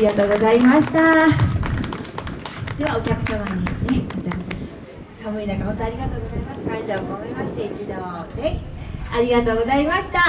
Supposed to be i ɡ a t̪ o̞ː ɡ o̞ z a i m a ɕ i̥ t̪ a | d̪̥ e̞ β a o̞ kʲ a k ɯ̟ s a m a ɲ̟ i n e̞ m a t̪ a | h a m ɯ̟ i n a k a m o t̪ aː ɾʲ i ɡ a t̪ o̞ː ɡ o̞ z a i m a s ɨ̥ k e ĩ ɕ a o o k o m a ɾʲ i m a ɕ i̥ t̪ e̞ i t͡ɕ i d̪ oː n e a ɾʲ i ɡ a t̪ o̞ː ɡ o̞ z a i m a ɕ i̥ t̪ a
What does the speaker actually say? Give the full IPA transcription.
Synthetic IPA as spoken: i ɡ a t̪ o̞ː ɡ o̞ z a i m a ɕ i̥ t̪ a | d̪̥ e̞ β a o̞ kʲ a k ɯ̟ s a m a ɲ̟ i n e̞ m a t̪ a | s a m ɯ̟ i n a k a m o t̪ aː ɾʲ i ɡ a t̪ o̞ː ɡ o̞ z a i m a s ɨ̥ k a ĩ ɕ a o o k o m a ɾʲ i m a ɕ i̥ t̪ e̞ i t͡ɕ i d̪ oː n e a ɾʲ i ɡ a t̪ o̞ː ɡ o̞ z a i m a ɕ i̥ t̪ a